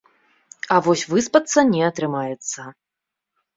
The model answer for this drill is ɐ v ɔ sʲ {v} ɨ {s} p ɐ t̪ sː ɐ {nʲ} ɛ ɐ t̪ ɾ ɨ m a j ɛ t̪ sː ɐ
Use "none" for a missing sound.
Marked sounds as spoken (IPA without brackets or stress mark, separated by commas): v, s, nʲ